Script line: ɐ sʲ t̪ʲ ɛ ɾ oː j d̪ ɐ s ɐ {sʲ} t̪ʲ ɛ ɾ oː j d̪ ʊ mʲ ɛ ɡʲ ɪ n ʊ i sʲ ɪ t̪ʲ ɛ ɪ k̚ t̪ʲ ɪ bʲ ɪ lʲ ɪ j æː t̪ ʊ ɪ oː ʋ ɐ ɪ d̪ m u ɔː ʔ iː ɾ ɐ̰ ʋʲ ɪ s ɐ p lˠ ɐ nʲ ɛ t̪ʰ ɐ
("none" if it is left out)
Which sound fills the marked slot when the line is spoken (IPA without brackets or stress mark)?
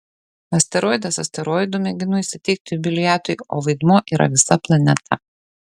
sʲ